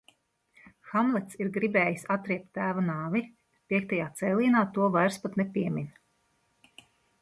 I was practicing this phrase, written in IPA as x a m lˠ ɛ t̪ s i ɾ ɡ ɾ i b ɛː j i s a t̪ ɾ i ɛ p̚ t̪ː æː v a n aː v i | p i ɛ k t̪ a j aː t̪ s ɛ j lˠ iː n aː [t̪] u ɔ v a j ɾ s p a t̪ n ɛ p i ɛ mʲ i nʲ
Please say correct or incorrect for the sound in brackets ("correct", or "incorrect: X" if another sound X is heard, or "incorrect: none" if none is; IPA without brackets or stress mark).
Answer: correct